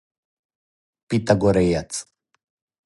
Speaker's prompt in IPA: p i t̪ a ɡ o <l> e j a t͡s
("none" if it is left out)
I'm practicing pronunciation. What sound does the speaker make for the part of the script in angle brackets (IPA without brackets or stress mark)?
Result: ɾ